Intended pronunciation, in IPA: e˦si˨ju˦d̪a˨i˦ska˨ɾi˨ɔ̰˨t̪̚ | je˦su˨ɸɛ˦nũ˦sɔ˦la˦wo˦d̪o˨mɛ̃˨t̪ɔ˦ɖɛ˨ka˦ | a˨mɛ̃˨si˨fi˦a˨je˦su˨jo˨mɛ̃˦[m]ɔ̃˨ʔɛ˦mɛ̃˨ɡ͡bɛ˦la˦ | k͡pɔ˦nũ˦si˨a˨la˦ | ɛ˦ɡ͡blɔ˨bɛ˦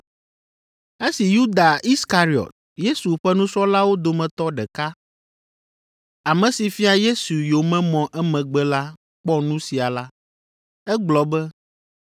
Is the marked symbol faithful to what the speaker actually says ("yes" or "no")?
yes